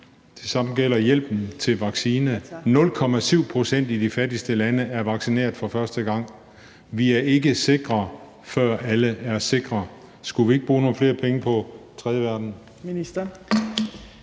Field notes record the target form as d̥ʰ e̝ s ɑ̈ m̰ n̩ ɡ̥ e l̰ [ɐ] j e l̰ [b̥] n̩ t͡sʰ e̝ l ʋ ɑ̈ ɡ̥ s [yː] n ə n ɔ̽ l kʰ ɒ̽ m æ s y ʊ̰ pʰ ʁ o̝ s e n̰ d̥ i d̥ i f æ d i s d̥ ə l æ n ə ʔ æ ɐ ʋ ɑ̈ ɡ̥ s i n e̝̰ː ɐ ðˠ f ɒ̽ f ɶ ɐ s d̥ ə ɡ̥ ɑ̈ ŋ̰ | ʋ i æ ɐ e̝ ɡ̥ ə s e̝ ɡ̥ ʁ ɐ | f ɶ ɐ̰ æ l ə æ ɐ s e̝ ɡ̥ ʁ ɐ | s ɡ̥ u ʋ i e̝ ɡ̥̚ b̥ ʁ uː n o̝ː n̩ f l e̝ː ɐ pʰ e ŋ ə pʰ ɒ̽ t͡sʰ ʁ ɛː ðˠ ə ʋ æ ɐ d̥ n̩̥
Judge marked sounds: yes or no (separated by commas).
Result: yes, yes, no